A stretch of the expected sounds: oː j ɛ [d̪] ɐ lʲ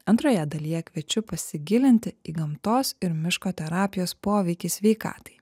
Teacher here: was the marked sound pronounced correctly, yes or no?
yes